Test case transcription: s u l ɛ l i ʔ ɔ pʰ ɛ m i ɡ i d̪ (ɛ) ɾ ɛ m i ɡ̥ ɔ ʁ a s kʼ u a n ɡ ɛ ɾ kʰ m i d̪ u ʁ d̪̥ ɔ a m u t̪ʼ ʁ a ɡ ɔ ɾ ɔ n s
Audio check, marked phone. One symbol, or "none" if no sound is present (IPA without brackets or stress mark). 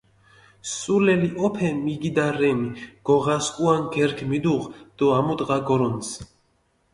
a